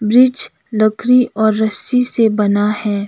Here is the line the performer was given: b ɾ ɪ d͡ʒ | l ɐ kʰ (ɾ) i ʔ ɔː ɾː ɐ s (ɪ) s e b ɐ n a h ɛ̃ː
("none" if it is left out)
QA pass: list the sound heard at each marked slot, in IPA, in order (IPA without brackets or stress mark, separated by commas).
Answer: ɾ, i